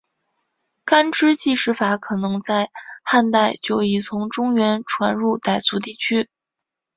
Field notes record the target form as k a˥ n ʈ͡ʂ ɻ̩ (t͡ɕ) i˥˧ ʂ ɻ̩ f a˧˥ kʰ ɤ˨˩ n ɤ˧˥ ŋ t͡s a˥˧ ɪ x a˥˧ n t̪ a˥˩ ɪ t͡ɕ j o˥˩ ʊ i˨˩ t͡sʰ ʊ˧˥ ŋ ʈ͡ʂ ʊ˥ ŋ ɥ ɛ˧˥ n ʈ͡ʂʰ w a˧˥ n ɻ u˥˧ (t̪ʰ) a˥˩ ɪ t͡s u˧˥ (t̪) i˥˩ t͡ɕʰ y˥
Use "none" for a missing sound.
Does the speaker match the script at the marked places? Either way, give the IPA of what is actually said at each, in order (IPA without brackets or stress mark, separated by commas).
t͡ɕ, t̪, t̪